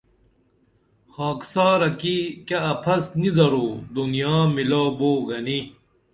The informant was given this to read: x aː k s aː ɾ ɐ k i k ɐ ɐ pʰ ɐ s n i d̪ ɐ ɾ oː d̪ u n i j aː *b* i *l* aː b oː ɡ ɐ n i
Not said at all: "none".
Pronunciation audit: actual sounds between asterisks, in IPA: m, l

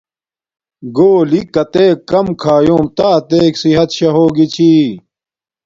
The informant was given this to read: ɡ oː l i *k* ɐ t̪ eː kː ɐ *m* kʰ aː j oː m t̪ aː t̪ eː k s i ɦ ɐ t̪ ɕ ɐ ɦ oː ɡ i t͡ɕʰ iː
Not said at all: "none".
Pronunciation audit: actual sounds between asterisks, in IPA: k, m

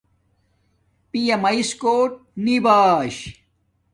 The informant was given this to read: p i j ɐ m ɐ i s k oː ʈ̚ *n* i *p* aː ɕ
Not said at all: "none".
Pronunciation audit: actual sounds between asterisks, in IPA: n, b

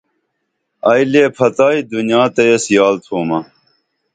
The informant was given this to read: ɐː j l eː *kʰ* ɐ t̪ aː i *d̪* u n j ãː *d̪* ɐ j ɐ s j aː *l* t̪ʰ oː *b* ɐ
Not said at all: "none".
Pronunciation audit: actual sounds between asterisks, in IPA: pʰ, d̪, t̪, l, m

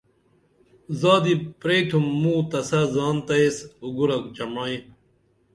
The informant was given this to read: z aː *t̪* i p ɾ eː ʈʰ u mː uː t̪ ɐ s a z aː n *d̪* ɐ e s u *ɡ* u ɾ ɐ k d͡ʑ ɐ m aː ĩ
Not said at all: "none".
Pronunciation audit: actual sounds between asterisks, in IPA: d̪, t̪, ɡ

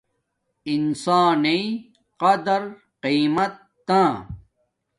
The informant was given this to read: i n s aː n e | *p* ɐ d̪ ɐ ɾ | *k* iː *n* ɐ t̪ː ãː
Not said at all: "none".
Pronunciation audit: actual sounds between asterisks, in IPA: q, q, m

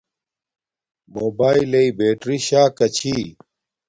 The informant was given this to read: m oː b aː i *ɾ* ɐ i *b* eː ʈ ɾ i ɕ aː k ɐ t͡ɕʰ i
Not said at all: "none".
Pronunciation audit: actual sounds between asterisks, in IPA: l, b

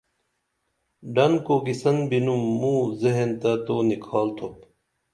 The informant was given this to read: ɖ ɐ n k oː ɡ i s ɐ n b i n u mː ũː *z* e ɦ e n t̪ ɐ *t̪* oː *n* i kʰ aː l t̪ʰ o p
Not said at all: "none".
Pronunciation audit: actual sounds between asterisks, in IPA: z, t̪, n

